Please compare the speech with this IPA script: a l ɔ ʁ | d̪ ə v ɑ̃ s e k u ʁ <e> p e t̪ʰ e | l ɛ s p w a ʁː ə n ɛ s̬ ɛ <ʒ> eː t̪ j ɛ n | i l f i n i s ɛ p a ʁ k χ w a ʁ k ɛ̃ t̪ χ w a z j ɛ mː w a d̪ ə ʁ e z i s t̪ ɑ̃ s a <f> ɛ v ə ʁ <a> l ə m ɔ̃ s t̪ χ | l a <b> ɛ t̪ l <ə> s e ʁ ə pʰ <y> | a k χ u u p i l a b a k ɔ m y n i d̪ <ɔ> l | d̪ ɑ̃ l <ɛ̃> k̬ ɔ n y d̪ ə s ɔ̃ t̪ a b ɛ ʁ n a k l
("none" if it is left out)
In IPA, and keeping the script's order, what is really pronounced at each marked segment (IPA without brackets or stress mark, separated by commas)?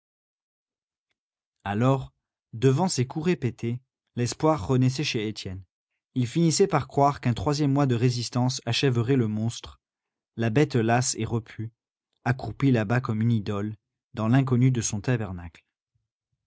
e, ʃ, ʃ, ɛ, b, a, y, ɔ, ɛ̃